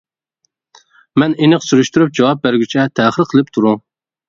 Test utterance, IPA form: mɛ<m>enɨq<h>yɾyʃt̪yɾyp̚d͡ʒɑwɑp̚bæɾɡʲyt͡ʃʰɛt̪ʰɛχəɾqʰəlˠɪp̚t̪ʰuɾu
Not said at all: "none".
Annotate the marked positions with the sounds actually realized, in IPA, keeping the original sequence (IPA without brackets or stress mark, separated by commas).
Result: n, s